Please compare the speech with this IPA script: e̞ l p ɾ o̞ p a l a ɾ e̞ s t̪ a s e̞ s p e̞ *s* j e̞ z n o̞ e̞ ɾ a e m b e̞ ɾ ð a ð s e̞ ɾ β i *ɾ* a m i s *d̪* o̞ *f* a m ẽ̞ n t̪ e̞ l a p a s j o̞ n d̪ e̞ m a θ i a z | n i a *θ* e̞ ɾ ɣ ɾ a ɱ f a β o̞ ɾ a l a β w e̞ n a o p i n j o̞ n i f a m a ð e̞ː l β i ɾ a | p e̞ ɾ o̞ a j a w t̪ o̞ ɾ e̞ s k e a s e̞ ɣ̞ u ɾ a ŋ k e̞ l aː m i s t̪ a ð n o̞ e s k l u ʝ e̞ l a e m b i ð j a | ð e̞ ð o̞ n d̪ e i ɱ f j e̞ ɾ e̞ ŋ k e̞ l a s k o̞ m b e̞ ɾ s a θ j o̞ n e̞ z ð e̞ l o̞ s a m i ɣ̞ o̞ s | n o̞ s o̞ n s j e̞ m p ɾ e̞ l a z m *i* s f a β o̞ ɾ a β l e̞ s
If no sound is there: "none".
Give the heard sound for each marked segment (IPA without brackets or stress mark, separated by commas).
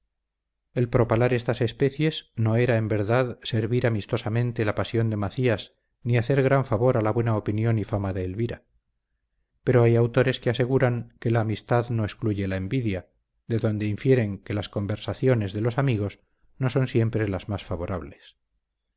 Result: θ, ɾ, t̪, s, θ, a